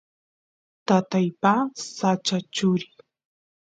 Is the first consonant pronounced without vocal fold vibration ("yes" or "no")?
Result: yes